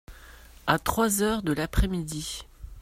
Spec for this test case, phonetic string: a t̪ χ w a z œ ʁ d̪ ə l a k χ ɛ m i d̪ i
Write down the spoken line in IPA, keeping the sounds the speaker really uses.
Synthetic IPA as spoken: a t̪ χ w a z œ ʁ d̪ ə l a p χ ɛ m i d̪ i